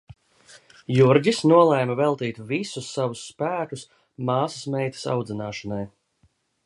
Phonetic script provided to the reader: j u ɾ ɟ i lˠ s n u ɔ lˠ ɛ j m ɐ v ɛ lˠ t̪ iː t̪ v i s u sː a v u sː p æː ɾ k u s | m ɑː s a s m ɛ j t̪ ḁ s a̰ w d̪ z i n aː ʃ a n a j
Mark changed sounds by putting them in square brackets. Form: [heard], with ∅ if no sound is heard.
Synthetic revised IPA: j u ɾ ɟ i [∅] s n u ɔ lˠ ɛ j m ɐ v ɛ lˠ t̪ iː t̪ v i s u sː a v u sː p æː [∅] k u s | m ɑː s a s m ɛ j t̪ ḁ s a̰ w d̪ z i n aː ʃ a n a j